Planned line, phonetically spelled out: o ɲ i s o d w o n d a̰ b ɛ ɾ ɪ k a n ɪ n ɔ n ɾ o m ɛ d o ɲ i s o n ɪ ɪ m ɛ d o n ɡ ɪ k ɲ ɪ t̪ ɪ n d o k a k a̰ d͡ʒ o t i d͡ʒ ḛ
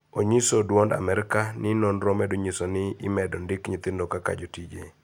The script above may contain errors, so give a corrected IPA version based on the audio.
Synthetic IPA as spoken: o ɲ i s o d w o n d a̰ m ɛ ɾ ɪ k a n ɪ n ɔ n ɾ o m ɛ d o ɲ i s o n ɪ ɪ m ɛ d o n d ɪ k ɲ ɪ t̪ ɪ n d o k a k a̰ d͡ʒ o t i d͡ʒ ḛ